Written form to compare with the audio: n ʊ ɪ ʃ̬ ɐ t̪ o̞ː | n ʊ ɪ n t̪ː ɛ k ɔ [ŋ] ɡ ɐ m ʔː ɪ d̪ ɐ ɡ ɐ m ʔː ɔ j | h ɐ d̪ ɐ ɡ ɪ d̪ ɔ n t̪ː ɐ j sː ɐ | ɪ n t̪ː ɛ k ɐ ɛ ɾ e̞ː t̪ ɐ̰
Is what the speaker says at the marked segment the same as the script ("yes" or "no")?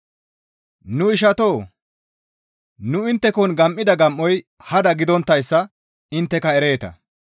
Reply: no